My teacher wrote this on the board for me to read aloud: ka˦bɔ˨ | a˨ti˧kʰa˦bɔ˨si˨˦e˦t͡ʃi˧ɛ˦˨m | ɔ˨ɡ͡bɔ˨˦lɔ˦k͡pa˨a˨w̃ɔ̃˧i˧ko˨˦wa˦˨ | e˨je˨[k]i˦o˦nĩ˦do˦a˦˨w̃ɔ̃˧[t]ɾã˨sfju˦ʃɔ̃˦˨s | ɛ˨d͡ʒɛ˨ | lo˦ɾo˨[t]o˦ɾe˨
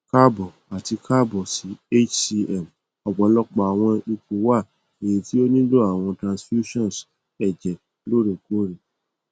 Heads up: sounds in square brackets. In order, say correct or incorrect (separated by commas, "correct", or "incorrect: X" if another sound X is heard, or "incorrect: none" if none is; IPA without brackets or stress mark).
incorrect: t, correct, incorrect: k